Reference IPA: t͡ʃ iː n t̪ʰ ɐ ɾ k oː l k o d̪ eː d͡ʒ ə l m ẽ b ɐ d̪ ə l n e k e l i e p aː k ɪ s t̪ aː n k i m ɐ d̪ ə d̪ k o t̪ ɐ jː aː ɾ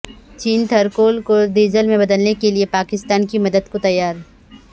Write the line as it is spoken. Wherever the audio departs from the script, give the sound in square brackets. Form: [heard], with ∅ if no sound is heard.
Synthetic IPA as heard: t͡ʃ iː n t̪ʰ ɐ ɾ k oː l k o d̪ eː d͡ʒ ə l m ẽ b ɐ d̪ ə l n e k e l i e p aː k ɪ s t̪ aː n k i m ɐ d̪ ə d̪ k o t̪ ɐ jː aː ɾ

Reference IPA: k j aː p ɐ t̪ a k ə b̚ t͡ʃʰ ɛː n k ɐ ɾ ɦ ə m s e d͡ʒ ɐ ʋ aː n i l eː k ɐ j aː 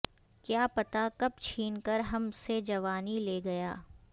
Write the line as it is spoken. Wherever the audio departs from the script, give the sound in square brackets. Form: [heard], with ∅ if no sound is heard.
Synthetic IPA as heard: k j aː p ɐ t̪ a k [ɐ] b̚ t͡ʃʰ [iː] n k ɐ ɾ ɦ [ɐ] m s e d͡ʒ ɐ ʋ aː n i l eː [ɡ] ɐ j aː

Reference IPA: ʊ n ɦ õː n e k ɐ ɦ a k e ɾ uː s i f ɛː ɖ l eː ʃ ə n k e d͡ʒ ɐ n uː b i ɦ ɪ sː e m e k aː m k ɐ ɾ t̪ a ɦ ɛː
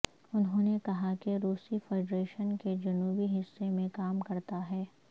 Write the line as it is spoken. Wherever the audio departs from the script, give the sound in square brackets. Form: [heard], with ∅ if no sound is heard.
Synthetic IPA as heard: ʊ n ɦ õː n e k ɐ ɦ a k e ɾ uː s i f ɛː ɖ [ɾ] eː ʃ ə n k e d͡ʒ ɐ n uː b i ɦ ɪ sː e m [ẽ] k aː m k ɐ ɾ t̪ a ɦ ɛː

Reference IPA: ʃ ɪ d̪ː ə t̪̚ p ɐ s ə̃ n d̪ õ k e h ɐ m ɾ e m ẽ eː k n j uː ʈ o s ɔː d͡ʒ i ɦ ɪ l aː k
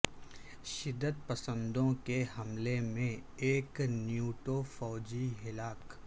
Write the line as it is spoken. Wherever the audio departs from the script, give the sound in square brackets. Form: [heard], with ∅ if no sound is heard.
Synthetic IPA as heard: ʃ ɪ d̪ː ə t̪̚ p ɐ s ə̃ n d̪ õ k e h ɐ m [l] e m ẽ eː k n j uː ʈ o [f] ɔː d͡ʒ i ɦ ɪ l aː k

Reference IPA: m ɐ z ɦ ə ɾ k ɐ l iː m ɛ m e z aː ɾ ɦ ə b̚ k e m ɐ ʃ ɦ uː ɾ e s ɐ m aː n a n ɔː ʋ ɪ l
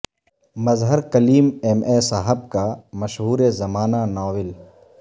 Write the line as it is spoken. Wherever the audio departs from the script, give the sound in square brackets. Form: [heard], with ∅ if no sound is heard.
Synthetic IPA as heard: m ɐ z ɦ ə ɾ k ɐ l iː m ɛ m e [s] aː [∅] ɦ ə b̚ k [a] m ɐ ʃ ɦ uː ɾ e [z] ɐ m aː n a n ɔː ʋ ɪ l

